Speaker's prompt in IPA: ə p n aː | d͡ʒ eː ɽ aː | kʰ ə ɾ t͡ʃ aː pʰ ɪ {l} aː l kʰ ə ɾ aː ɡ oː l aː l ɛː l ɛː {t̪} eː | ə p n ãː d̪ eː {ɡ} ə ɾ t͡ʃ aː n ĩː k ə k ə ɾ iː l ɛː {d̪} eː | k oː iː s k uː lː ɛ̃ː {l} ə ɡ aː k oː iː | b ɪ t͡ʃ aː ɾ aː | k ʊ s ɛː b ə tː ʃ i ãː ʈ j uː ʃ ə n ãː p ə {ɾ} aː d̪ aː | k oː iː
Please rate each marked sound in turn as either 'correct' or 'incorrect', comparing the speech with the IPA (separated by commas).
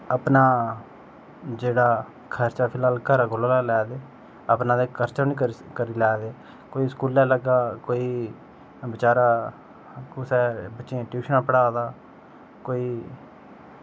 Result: correct, incorrect, incorrect, correct, correct, incorrect